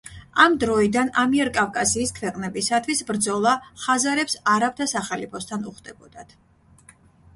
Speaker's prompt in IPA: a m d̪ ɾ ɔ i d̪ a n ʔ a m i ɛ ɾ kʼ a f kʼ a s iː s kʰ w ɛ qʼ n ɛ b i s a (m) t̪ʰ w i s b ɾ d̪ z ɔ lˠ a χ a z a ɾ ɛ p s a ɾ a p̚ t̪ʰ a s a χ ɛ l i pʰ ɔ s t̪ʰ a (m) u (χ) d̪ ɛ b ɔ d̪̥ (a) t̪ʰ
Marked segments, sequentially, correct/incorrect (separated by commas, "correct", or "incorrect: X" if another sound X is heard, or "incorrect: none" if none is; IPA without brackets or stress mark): incorrect: none, incorrect: n, correct, correct